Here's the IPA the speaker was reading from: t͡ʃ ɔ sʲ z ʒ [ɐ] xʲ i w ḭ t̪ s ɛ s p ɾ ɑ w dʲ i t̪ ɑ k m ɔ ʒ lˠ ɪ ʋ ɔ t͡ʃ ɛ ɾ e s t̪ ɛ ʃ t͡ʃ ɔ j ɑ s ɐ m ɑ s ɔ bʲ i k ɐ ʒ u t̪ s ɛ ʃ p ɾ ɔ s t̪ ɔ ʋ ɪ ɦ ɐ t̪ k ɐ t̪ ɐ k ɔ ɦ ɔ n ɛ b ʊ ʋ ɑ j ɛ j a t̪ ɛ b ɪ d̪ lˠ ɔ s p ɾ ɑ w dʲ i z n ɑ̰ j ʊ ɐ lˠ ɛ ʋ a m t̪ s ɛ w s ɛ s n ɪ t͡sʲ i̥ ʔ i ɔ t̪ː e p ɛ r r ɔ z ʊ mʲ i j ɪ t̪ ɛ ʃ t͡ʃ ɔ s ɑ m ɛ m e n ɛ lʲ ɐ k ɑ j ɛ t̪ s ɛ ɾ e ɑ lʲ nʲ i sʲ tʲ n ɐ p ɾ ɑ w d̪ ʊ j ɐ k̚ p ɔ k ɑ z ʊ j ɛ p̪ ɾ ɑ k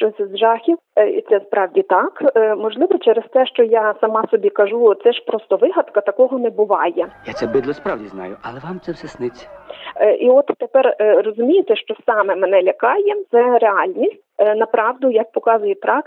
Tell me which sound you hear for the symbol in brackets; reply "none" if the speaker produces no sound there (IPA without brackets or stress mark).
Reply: ɑ